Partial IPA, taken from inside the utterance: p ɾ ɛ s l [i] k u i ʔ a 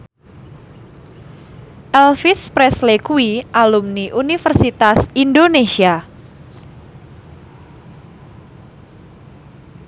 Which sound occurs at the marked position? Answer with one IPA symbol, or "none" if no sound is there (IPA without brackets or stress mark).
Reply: e